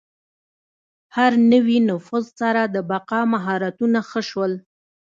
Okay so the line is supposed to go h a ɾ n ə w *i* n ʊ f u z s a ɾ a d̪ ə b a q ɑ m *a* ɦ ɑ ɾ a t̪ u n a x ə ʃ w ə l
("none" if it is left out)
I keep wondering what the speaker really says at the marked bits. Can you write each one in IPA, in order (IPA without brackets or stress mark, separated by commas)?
i, a